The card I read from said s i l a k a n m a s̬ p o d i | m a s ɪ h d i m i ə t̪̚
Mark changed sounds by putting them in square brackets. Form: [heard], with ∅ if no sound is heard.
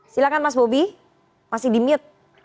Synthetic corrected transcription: s i l a k a n m a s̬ [b] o [b] i | m a s ɪ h d i m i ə t̪̚